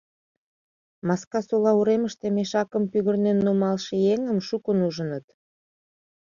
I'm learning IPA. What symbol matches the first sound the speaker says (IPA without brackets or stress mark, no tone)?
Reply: m